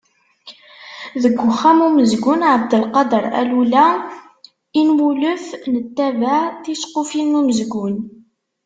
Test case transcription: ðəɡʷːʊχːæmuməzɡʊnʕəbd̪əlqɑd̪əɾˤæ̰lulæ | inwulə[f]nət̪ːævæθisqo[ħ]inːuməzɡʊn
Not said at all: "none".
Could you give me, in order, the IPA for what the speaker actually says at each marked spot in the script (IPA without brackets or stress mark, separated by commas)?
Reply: f, f